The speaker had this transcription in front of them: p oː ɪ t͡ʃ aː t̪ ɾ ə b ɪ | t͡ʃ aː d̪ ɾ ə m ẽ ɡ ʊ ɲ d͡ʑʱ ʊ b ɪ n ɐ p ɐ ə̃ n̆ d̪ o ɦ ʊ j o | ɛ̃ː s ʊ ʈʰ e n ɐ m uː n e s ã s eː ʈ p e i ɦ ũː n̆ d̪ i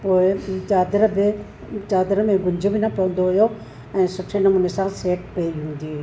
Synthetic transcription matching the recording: p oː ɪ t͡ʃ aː d̪ ɾ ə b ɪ | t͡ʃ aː d̪ ɾ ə m ẽ ɡ ʊ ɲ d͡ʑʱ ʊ b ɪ n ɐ p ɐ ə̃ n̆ d̪ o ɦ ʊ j o | ɛ̃ː s ʊ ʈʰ e n ɐ m uː n e s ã s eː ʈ p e i ɦ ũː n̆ d̪ i